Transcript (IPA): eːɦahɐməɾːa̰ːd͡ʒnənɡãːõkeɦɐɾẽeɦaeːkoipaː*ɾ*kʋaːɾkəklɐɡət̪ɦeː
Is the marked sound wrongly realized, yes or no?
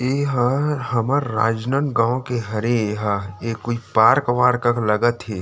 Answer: no